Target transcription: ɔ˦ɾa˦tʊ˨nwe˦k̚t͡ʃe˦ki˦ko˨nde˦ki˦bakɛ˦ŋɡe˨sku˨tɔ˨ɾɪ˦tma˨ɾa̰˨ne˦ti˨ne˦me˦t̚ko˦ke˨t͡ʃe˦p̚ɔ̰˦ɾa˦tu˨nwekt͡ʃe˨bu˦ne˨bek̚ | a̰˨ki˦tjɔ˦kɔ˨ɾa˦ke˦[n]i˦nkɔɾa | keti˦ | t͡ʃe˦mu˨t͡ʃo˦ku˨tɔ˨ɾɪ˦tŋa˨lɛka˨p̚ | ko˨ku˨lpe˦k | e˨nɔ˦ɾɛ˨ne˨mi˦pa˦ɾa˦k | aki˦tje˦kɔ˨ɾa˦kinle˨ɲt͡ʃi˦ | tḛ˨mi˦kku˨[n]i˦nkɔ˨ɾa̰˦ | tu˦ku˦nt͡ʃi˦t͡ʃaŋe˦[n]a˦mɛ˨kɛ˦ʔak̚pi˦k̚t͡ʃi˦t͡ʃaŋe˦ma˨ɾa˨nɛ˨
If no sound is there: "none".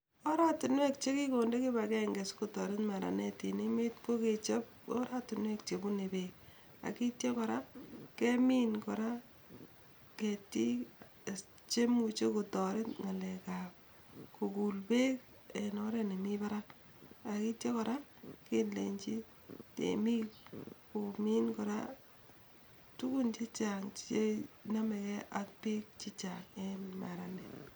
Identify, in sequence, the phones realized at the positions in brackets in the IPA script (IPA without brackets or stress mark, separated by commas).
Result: m, m, n